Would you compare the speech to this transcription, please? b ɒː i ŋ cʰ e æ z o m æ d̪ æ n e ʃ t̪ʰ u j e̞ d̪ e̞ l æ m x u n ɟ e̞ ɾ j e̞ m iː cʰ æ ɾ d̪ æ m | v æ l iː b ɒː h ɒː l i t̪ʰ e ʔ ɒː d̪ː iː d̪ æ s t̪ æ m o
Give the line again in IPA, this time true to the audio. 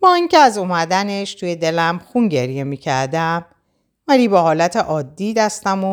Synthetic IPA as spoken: b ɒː i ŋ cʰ e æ z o m æ d̪ æ n e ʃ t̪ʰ u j e̞ d̪ e̞ l æ m x u n ɟ e̞ ɾ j e̞ m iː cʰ æ ɾ d̪ æ m | v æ l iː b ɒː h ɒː l æ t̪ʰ e ʔ ɒː d̪ː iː d̪ æ s t̪ æ m o